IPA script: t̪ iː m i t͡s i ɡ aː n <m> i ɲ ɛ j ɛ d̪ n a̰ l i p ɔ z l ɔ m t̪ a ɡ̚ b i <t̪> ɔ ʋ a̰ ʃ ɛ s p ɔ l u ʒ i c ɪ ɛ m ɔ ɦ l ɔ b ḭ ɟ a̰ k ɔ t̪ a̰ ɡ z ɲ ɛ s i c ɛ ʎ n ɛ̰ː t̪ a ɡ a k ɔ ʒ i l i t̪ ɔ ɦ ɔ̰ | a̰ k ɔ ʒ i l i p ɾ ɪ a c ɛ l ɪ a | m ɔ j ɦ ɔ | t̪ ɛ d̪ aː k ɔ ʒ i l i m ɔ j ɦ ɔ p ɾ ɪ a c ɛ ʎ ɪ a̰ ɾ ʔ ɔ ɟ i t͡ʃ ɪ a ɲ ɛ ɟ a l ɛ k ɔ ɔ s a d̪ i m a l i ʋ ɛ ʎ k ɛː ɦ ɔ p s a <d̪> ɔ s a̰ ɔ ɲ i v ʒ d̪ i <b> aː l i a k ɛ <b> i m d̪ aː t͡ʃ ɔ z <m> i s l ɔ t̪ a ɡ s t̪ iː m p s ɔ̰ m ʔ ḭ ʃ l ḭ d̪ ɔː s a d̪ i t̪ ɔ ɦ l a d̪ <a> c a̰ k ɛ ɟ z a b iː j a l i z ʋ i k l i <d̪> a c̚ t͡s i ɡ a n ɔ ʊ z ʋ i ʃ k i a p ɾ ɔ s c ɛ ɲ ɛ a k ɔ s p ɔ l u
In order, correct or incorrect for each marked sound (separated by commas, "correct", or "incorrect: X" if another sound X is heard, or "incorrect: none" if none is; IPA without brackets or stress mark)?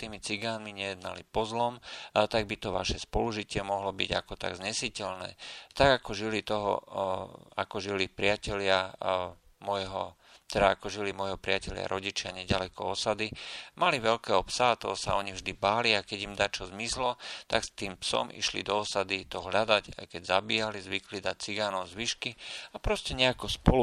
correct, correct, incorrect: t̪, correct, incorrect: ɟ, correct, correct, correct